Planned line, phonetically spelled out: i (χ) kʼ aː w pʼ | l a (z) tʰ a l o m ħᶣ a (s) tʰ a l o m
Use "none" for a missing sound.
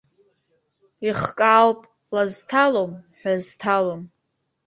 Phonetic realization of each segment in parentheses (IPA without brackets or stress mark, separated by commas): χ, z, z